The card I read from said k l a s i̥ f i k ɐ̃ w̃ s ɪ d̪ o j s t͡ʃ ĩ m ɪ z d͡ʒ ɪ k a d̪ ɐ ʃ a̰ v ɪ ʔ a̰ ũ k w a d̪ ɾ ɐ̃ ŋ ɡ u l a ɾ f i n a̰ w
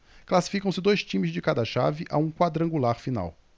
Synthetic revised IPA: k l a s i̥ f i k ɐ̃ w̃ s ɪ d̪ o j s t͡ʃ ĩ m ɪ z d͡ʒ ɪ k a d̪ ɐ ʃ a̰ v ɪ ʔ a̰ ũ k w a d̪ ɾ ɐ̃ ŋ ɡ u l a ɾ f i n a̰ w